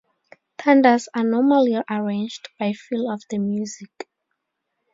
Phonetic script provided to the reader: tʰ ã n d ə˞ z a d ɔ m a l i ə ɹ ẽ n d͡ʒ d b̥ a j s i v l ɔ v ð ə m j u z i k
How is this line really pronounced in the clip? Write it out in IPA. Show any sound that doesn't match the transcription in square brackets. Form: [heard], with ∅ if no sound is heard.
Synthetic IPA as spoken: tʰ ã n d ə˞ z a [n] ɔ m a l i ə ɹ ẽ n d͡ʒ d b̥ a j [f] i [∅] l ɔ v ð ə m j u z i k